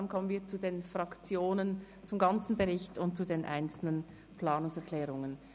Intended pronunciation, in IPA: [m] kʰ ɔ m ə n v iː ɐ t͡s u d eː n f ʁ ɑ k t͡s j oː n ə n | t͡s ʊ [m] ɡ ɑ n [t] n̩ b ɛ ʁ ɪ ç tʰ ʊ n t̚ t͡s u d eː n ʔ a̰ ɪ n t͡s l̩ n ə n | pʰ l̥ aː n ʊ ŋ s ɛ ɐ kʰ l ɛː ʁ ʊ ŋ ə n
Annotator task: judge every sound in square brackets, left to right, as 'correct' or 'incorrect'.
incorrect, correct, incorrect

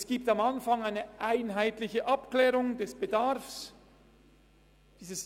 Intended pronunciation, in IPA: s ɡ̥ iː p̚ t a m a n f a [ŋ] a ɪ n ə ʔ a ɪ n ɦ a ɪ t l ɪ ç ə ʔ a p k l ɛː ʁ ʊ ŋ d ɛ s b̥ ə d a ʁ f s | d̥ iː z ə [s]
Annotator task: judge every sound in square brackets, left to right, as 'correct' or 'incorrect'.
correct, correct

